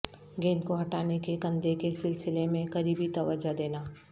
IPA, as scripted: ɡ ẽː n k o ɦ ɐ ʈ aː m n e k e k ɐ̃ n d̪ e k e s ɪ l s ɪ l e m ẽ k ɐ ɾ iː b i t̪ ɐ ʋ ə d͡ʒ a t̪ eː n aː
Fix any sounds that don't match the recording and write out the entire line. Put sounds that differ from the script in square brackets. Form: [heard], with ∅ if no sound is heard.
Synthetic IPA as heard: ɡ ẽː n k o ɦ ɐ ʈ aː [∅] n e k e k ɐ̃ n d̪ e k e s ɪ l s ɪ l e m ẽ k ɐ ɾ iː b i t̪ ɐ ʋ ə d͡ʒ a [d̪] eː n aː